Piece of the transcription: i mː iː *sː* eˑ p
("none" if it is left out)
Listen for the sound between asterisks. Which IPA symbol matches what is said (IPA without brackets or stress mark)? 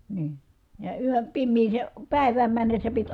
s